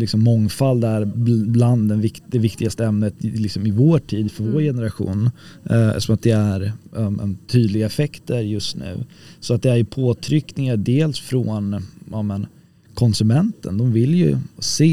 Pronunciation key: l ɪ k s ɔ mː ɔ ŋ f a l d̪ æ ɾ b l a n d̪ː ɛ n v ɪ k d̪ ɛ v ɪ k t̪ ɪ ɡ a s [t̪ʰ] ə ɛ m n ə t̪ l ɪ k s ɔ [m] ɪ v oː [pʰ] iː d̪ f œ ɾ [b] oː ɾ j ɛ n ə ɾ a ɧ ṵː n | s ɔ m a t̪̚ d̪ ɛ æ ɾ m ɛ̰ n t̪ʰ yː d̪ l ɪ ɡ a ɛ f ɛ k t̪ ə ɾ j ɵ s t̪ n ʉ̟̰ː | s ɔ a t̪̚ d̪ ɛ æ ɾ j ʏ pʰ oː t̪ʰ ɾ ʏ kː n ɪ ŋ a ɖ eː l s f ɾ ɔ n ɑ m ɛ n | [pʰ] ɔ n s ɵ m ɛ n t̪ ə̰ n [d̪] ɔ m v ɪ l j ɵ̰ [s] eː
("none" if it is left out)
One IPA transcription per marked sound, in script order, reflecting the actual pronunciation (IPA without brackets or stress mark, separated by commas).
t̪, m, ʈʰ, v, kʰ, d̪, s